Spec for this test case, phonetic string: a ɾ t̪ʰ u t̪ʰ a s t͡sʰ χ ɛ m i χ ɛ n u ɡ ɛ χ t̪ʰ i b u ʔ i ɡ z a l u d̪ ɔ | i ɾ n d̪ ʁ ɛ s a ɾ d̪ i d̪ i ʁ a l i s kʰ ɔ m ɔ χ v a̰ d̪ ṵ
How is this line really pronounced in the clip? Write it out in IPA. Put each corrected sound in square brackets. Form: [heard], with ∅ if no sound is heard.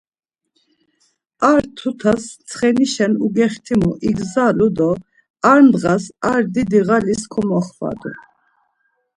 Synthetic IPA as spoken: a ɾ t̪ʰ u t̪ʰ a s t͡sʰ χ ɛ [n] i [ʃ] ɛ n u ɡ ɛ χ t̪ʰ i [m] u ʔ i ɡ z a l u d̪ ɔ | [a] ɾ n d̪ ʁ [a] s a ɾ d̪ i d̪ i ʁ a l i s kʰ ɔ m ɔ χ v a̰ d̪ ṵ